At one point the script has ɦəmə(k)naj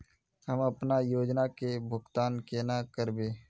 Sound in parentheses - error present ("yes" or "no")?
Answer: yes